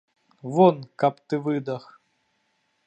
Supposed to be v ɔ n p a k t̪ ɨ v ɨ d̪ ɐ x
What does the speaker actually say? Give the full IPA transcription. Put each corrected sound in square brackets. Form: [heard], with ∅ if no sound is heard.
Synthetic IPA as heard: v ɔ n [k] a [p] t̪ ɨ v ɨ d̪ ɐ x